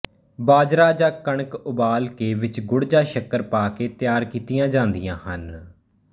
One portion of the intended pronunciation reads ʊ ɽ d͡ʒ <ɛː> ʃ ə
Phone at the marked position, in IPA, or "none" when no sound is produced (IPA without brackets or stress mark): aː